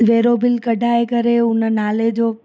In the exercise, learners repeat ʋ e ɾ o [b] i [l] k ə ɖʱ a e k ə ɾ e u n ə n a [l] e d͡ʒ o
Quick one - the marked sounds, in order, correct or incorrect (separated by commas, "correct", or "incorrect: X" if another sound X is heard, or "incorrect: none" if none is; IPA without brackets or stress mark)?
correct, correct, correct